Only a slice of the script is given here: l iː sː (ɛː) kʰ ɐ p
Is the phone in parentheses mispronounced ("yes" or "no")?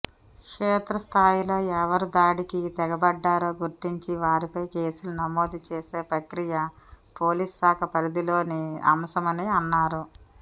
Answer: yes